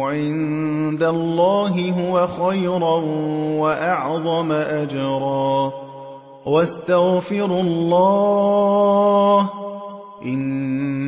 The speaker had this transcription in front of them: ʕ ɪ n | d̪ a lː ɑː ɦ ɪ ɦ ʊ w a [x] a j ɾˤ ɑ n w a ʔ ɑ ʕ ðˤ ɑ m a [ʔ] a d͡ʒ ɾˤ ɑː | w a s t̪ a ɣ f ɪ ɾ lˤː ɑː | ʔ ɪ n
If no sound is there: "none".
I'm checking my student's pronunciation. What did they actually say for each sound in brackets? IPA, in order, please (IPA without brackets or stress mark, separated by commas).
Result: x, ʔ